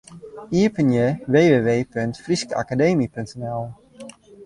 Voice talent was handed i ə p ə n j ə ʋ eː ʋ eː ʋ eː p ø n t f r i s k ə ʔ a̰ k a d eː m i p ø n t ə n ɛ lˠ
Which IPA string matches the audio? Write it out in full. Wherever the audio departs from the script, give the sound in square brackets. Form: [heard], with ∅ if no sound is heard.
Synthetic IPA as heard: i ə p ə n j ə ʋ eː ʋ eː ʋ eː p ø n t f r i s k ə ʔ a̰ k a d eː m i p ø n t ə n ɛ lˠ